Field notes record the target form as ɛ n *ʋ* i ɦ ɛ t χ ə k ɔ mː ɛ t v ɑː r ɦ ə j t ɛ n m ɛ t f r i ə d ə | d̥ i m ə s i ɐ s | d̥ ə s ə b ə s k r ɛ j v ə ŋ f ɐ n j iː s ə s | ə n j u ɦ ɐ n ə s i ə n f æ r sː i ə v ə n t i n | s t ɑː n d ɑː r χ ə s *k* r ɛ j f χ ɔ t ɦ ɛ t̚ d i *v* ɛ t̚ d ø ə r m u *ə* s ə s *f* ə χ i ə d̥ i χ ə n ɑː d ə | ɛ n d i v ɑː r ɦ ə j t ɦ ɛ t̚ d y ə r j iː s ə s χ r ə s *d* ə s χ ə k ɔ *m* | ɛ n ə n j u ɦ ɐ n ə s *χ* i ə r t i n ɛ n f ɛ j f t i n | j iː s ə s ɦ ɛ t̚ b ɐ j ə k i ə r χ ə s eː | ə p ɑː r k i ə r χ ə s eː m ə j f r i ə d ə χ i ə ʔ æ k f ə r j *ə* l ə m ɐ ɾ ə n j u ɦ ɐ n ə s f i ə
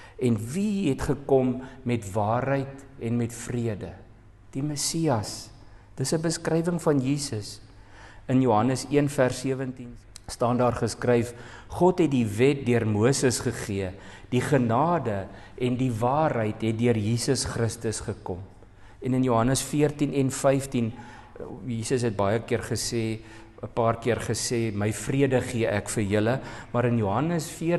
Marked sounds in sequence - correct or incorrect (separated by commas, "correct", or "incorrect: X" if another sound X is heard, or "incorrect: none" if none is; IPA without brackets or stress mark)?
incorrect: v, correct, correct, correct, incorrect: χ, incorrect: t, correct, incorrect: f, correct